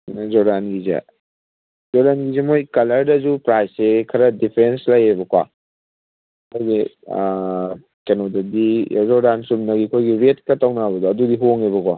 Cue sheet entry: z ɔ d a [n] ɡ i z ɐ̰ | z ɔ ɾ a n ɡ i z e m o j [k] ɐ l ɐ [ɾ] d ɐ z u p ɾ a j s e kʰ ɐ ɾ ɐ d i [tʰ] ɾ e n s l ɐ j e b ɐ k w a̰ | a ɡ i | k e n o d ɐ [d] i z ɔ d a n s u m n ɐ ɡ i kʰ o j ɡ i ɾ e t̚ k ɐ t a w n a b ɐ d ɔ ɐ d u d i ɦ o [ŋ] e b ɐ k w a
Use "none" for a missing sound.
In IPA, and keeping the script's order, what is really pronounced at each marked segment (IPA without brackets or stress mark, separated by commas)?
n, k, ɾ, pʰ, d, ŋ